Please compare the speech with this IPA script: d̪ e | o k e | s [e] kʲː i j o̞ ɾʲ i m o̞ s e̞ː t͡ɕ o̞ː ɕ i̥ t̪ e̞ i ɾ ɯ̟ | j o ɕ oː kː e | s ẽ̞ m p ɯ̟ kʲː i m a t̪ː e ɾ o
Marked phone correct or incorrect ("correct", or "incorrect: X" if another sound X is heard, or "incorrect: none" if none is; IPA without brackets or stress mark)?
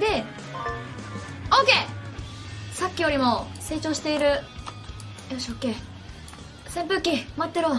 incorrect: a